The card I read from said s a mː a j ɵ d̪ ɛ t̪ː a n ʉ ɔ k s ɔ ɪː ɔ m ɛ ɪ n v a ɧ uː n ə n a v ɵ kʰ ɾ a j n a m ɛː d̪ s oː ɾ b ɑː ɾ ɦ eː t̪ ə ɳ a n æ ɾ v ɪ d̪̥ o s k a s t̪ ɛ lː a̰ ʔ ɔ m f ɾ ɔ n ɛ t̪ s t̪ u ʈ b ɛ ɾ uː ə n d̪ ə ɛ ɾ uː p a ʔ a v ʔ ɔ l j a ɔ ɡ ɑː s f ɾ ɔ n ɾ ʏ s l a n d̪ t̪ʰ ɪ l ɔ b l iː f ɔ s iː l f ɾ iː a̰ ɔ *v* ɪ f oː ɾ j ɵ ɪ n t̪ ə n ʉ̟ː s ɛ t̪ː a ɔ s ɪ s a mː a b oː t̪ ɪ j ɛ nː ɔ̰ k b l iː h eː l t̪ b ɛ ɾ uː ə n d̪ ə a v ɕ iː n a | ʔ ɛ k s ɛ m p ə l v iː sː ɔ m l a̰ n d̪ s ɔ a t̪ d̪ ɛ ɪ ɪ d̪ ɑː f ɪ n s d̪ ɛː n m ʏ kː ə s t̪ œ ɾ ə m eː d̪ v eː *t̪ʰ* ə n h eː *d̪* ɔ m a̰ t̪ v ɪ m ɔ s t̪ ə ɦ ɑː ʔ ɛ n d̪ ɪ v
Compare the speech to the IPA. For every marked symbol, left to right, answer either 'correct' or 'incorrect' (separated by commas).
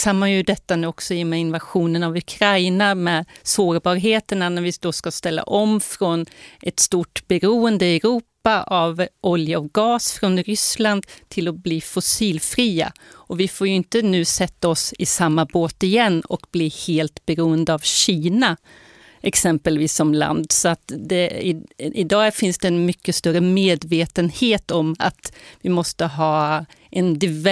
correct, incorrect, incorrect